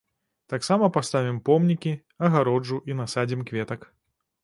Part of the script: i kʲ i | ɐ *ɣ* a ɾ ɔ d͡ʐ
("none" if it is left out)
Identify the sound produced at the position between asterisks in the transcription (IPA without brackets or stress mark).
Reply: ɣ